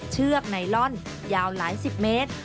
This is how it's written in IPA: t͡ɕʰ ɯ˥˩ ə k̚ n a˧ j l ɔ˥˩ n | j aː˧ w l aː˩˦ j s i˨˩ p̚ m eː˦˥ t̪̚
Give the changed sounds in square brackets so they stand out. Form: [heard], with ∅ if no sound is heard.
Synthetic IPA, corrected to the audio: t͡ɕʰ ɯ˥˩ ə k̚ n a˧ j l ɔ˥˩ n | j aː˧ w l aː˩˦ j s i˨˩ p̚ m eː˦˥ t̪̚